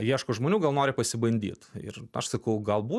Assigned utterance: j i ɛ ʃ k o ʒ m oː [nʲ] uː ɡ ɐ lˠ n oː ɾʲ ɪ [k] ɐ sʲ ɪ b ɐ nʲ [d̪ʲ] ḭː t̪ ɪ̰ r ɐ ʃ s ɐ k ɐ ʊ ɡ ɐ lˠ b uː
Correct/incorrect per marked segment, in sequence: correct, incorrect, correct

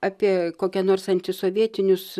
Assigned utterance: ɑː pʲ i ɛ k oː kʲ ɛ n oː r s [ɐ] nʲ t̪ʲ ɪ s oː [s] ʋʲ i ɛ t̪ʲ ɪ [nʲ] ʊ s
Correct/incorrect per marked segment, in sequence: correct, incorrect, correct

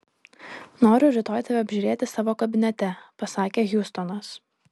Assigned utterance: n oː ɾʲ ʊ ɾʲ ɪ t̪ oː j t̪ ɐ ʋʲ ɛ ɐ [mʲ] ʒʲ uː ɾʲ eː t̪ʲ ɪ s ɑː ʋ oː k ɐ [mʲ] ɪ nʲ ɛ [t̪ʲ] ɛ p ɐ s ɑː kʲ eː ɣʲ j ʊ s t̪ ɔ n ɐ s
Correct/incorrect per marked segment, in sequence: incorrect, incorrect, correct

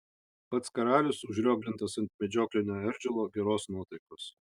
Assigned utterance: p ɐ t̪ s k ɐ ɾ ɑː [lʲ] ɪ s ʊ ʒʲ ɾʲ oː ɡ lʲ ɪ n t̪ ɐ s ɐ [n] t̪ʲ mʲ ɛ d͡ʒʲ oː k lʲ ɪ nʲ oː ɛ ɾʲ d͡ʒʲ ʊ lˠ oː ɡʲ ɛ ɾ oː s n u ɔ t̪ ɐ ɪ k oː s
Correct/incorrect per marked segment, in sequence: correct, correct

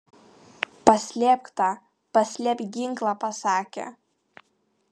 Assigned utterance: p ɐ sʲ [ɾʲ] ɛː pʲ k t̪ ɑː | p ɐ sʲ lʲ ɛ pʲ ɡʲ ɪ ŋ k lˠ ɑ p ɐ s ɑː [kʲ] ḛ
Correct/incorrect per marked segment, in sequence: incorrect, correct

